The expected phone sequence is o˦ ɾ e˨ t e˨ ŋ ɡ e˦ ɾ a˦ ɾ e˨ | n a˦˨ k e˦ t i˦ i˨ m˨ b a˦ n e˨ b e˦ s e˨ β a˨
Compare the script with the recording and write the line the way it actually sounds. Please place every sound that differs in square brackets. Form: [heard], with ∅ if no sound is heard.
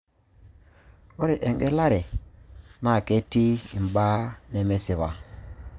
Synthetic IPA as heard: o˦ ɾ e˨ [ʔ] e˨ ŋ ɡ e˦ [l] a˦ ɾ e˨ | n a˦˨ k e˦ t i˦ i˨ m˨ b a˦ n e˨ [m] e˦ s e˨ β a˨

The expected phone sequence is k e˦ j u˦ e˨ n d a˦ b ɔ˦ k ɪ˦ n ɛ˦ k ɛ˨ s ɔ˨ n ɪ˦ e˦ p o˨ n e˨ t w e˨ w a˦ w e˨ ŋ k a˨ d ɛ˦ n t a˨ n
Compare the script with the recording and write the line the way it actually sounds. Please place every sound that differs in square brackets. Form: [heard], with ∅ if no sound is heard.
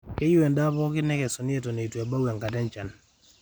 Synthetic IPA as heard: k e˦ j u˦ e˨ n d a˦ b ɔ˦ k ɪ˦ n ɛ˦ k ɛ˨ s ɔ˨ n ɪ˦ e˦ [t] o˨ n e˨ t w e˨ [b] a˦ w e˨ ŋ k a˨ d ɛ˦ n [t͡ʃ] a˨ n

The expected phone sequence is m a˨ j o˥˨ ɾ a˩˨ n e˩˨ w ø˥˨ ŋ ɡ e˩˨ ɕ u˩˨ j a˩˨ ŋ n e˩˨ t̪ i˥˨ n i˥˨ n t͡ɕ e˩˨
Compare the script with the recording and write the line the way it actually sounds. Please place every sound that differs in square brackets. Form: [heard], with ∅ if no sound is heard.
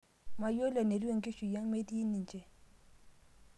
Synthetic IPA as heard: m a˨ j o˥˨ [l] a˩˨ n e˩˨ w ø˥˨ ŋ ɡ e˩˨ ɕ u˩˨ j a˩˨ ŋ [m] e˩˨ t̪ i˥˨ n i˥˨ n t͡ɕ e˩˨

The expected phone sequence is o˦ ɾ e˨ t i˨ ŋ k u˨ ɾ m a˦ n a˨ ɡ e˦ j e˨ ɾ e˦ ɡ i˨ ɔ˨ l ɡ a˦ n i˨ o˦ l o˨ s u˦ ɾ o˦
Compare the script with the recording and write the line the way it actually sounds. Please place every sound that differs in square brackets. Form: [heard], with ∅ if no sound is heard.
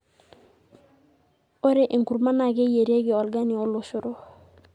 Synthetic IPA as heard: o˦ ɾ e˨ [ʔ] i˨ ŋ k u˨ ɾ m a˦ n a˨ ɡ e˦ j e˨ ɾ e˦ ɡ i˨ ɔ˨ l ɡ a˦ n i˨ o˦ l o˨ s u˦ ɾ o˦

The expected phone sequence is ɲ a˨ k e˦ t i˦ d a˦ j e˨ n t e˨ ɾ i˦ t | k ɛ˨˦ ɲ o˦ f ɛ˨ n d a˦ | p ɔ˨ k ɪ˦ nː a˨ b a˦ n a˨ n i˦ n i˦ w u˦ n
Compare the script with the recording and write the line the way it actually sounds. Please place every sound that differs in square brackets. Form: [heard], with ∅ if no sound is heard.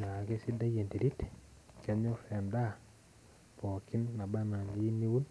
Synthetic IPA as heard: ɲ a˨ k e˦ [s] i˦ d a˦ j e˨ n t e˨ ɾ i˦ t | k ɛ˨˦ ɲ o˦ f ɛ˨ n d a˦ | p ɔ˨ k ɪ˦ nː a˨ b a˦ n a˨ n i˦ n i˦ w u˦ n

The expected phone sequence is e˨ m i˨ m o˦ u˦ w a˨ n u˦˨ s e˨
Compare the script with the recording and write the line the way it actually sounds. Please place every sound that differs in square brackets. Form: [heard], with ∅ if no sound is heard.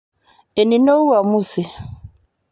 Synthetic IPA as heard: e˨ [n] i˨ [n] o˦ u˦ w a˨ [m] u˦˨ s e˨

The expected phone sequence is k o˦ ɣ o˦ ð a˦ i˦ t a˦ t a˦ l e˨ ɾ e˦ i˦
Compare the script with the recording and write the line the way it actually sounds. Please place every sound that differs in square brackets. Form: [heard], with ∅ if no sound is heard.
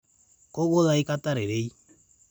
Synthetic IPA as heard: k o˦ ɣ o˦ ð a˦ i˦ [k] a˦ t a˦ [ɾ] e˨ ɾ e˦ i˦

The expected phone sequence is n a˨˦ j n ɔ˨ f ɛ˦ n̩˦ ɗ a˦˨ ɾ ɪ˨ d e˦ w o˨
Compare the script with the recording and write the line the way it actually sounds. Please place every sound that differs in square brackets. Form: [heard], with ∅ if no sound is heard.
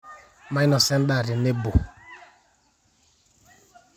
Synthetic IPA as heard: [m] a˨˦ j n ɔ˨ [s] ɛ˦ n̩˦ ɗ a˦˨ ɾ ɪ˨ [n] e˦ [b] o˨

